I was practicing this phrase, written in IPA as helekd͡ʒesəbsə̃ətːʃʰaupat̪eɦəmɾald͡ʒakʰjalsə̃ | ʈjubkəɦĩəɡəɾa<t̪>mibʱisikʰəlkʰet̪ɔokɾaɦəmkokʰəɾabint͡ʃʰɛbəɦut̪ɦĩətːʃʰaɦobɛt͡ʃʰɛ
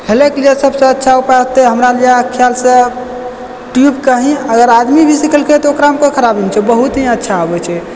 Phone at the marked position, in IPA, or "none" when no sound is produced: d̪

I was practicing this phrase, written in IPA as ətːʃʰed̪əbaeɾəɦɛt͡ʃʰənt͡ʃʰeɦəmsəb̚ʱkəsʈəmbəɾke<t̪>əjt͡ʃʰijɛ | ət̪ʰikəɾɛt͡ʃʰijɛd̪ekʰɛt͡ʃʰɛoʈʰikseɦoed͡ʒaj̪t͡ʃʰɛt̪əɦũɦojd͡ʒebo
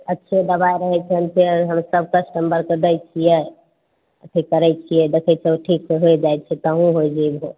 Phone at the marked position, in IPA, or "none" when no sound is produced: d̪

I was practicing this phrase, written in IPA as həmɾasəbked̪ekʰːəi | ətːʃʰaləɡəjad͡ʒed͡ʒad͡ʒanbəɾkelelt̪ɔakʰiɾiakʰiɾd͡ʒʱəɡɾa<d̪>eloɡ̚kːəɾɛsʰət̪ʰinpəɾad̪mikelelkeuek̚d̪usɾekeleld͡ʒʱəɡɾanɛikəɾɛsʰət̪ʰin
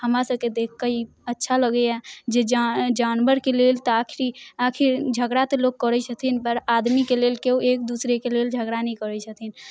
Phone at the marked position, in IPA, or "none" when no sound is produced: t̪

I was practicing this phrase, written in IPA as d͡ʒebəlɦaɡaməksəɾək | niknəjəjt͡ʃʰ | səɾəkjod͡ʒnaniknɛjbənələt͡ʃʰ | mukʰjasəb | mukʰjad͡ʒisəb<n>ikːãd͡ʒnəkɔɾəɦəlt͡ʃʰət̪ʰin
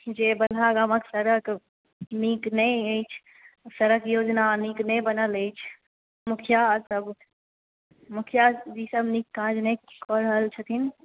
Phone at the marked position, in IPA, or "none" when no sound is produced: n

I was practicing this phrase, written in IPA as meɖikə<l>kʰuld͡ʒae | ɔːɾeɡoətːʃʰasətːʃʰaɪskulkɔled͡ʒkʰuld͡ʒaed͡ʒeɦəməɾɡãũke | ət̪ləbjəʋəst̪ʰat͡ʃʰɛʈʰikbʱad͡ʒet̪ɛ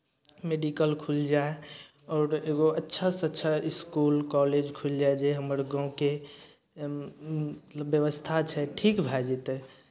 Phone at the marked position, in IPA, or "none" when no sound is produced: l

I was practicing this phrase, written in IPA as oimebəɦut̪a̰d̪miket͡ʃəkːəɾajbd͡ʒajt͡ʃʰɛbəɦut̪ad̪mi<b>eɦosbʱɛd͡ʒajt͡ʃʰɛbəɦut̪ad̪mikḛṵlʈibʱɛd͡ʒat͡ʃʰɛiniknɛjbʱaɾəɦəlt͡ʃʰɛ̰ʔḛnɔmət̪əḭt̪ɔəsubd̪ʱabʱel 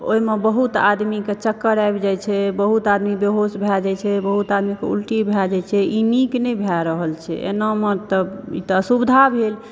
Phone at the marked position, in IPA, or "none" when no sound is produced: b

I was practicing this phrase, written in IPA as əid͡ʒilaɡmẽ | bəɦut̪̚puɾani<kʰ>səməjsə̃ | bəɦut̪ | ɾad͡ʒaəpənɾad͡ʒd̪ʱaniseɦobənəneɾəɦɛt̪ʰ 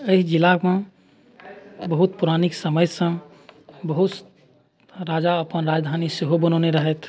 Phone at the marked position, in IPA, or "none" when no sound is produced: k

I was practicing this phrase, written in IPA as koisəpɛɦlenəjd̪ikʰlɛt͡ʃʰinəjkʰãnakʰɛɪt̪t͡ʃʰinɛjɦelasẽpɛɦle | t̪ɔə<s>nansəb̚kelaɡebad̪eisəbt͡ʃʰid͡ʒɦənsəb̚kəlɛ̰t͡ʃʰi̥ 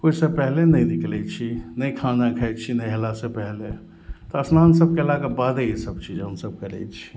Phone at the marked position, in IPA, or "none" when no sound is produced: s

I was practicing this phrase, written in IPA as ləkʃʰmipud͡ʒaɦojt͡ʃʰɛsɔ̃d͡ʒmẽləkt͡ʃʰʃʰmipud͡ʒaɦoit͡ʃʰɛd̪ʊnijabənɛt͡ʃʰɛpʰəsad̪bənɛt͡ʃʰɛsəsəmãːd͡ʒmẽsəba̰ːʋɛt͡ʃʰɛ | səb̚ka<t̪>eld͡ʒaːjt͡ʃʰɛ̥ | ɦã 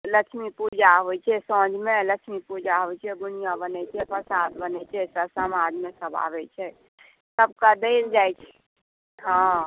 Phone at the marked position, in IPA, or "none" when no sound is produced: d̪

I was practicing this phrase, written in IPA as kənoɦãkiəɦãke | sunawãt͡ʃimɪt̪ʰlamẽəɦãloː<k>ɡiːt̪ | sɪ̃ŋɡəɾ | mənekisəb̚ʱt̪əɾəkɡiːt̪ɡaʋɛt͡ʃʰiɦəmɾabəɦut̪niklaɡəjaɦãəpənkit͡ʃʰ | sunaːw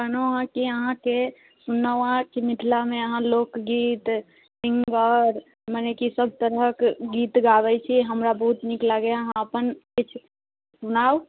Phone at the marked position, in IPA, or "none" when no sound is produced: k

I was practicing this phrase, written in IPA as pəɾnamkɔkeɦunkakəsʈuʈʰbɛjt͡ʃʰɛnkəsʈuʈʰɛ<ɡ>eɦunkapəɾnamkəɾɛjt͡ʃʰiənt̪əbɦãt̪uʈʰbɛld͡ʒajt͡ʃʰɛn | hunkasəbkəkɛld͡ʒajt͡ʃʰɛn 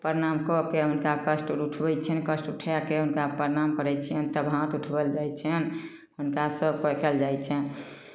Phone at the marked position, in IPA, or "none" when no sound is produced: k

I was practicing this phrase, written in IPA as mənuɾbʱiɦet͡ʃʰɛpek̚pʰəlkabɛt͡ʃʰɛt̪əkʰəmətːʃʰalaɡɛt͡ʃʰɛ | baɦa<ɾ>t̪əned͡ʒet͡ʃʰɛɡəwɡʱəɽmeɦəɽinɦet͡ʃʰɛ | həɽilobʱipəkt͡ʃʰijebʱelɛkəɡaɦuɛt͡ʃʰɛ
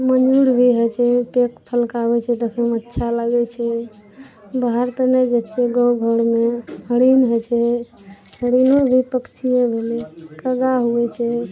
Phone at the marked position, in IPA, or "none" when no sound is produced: ɾ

